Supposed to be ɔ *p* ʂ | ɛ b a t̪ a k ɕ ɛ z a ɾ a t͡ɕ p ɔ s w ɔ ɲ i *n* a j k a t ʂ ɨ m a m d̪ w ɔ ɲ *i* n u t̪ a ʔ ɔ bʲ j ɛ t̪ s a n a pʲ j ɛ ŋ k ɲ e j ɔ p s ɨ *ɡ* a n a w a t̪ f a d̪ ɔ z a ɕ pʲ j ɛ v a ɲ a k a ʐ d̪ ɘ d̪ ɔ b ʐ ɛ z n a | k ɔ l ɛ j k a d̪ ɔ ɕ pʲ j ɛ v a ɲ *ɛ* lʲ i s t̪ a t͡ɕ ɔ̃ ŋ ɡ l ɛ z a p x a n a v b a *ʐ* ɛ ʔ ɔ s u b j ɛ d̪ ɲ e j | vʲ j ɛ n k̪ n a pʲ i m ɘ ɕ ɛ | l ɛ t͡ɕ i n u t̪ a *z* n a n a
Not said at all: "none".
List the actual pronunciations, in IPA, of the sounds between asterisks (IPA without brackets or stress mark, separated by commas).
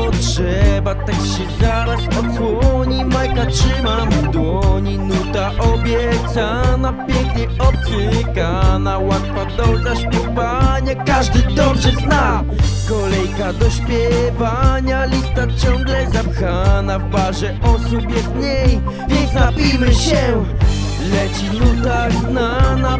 t, m, i, k, a, ʐ, z